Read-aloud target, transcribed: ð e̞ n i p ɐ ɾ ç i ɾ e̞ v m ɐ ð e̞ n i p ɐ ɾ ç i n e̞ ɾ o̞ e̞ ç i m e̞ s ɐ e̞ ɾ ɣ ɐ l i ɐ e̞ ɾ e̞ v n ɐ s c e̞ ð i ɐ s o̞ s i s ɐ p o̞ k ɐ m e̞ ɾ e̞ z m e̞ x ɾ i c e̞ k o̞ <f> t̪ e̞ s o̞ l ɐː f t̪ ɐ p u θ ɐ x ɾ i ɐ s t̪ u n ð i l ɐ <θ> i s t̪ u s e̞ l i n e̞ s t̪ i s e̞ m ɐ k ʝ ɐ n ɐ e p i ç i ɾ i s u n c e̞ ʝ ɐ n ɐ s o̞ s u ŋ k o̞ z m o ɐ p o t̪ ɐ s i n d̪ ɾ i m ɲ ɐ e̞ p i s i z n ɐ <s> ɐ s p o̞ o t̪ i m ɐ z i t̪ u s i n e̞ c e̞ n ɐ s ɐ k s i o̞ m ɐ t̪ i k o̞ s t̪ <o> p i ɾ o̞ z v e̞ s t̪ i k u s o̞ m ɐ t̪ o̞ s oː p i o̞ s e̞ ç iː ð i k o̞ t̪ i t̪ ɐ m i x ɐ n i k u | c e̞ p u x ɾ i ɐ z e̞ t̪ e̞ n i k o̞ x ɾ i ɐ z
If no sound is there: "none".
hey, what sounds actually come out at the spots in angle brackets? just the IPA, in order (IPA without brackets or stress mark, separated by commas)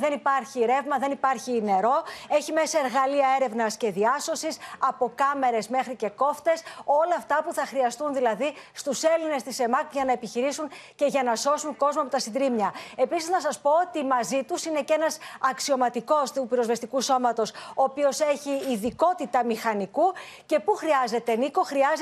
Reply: f, ð, s, u